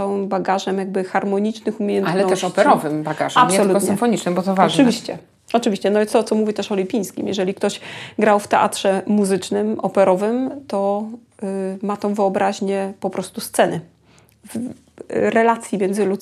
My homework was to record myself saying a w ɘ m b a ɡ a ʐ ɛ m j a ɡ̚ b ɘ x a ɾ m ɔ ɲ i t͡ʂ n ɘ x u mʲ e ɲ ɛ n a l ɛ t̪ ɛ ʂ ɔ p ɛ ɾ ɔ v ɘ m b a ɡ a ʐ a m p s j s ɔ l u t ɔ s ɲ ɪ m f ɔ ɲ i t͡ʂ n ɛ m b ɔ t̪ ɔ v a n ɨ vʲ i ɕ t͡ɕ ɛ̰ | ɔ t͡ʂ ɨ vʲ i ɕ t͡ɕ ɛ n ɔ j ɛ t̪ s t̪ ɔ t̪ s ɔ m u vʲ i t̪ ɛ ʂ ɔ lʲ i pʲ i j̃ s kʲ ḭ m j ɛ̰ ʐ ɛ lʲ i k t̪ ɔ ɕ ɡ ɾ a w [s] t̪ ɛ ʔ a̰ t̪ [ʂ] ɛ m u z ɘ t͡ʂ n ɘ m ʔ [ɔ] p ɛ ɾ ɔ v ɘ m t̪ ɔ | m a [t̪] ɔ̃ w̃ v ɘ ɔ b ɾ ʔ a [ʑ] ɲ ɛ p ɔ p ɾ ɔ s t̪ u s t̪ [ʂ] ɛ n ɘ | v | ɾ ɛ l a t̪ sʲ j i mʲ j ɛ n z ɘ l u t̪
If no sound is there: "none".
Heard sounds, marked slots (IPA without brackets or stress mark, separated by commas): f, ʂ, ɔ, t̪, ʑ, s